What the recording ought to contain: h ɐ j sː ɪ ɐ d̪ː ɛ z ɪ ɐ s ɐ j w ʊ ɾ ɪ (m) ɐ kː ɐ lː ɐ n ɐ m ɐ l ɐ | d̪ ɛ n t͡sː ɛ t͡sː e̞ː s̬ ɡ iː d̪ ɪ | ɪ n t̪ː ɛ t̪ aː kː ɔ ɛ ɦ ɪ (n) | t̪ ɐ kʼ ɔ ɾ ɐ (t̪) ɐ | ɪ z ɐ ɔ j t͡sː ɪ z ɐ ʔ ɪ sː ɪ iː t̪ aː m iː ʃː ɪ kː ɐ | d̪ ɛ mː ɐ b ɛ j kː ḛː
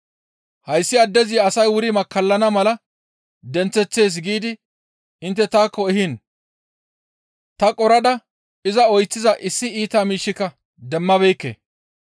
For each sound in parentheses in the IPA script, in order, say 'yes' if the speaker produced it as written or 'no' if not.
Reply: yes, yes, no

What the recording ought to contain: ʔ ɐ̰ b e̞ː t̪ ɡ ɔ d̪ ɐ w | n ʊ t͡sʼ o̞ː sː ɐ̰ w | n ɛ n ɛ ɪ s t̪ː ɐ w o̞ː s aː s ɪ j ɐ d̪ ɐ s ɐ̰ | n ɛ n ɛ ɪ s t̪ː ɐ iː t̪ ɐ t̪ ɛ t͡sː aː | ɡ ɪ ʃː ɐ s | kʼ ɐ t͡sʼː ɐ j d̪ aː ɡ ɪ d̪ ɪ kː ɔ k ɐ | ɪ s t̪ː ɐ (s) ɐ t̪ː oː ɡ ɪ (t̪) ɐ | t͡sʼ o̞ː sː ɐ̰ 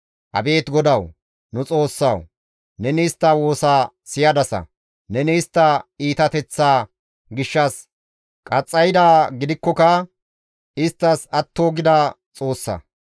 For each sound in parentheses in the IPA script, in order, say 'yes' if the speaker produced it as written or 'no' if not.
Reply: yes, no

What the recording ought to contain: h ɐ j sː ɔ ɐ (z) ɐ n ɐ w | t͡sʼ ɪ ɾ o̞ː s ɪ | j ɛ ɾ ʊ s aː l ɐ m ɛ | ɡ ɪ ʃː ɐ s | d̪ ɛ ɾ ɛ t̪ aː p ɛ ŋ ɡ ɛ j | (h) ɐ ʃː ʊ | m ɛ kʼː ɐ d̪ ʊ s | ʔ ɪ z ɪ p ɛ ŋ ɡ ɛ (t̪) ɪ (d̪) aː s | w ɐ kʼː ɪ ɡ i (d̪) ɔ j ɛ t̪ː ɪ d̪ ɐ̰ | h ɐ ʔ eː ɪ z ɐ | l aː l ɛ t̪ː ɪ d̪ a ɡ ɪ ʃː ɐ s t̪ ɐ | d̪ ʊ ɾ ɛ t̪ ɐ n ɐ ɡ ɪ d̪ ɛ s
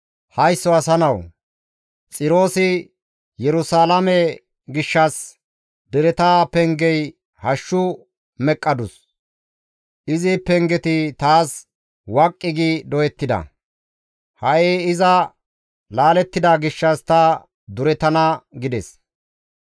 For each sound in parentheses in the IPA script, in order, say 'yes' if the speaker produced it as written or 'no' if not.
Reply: no, yes, yes, no, yes

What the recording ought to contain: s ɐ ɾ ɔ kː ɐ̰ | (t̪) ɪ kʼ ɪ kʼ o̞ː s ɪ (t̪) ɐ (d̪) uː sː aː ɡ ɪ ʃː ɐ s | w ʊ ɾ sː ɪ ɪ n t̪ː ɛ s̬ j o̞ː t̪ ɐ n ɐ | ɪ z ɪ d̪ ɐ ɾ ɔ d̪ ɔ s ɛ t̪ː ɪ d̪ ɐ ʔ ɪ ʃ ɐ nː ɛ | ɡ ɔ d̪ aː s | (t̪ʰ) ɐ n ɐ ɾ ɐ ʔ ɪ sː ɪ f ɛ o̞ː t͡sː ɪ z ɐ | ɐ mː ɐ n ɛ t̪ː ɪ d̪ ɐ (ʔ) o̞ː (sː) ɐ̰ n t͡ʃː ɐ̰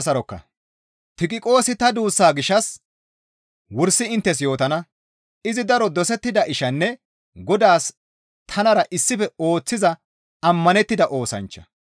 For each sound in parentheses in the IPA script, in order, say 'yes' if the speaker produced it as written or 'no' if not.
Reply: yes, yes, yes, yes, yes, no

